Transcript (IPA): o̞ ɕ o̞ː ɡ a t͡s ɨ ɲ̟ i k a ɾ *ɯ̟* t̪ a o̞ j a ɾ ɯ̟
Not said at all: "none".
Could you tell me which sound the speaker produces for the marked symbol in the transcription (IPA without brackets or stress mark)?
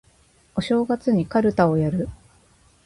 ɯ̟